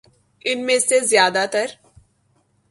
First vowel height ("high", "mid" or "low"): high